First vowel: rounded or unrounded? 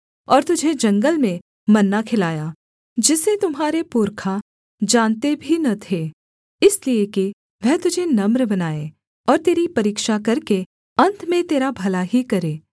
rounded